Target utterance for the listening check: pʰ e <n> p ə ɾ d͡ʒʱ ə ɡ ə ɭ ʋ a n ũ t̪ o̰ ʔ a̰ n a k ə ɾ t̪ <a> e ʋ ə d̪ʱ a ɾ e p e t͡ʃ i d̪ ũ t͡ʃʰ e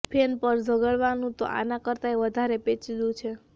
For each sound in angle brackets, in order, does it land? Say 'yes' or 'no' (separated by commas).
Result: yes, yes